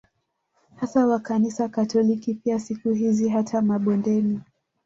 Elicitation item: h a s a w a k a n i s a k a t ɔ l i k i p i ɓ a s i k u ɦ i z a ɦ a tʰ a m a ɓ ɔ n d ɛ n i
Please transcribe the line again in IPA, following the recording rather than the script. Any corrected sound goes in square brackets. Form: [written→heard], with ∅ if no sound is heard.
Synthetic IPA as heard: h a s a w a k a n i s a k a t ɔ l i k i p i [ɓ→∅] a s i k u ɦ i z [a→i] ɦ a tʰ a m a ɓ ɔ n d ɛ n i